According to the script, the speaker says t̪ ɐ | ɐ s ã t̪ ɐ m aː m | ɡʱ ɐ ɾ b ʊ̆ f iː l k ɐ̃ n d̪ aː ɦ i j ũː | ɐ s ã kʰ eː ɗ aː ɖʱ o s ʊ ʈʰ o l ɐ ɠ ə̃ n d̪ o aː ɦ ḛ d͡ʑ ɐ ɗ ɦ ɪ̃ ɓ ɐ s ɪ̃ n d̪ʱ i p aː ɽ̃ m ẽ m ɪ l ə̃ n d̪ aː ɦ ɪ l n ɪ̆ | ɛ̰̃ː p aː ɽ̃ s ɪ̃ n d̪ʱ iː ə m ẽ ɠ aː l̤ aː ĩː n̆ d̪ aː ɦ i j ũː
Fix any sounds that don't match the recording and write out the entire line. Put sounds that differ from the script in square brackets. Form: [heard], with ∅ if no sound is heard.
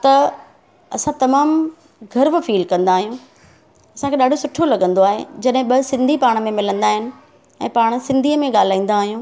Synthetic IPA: t̪ ɐ | ɐ s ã t̪ ɐ m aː m | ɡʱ ɐ ɾ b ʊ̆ f iː l k ɐ̃ n d̪ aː ɦ i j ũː | ɐ s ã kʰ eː ɗ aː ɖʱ o s ʊ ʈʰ o l ɐ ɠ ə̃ n d̪ o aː ɦ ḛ d͡ʑ ɐ ɗ ɦ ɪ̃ ɓ ɐ s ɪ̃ n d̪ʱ i p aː ɽ̃ m ẽ m ɪ l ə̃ n d̪ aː ɦ ɪ [∅] n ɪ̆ | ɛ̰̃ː p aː ɽ̃ s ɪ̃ n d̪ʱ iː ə m ẽ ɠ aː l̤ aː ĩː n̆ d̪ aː ɦ i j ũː

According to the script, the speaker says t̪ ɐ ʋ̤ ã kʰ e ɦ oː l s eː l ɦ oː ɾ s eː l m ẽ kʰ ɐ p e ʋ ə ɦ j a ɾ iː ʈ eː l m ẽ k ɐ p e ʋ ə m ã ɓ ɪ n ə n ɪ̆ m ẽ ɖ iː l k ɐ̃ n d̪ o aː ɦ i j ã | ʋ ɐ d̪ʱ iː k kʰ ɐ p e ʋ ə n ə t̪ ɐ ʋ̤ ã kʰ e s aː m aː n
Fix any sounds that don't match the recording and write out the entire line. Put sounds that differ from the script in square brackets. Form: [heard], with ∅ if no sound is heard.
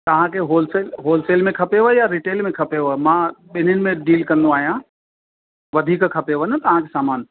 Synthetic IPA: t̪ ɐ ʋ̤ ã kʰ e ɦ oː l s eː l ɦ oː [l] s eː l m ẽ kʰ ɐ p e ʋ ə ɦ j a ɾ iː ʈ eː l m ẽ [kʰ] ɐ p e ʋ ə m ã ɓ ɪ n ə n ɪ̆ m ẽ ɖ iː l k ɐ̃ n d̪ o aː ɦ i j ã | ʋ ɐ d̪ʱ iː k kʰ ɐ p e ʋ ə n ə t̪ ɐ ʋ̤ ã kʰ e s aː m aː n

